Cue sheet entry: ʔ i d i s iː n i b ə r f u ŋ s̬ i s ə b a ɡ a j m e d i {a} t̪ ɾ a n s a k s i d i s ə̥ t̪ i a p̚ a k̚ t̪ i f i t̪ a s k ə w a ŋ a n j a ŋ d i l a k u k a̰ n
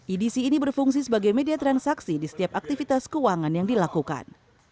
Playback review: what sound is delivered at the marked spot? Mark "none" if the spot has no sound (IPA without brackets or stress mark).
a